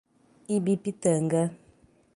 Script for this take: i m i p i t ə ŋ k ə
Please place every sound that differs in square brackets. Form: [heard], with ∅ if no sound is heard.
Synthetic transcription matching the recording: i [b] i p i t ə ŋ [ɡ] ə